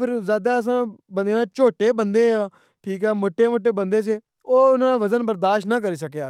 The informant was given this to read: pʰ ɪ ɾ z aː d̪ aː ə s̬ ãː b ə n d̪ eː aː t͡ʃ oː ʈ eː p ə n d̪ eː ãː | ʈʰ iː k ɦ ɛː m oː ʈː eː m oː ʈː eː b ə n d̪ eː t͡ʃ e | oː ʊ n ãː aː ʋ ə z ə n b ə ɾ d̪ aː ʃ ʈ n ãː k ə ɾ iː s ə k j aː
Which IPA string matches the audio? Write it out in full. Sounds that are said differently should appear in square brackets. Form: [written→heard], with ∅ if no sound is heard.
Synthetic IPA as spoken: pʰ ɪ ɾ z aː d̪ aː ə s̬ ãː b ə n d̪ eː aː t͡ʃ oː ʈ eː [p→b] ə n d̪ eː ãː | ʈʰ iː k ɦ ɛː m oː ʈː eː m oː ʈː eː b ə n d̪ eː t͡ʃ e | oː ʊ n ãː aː ʋ ə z ə n b ə ɾ d̪ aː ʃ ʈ n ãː k ə ɾ iː s ə k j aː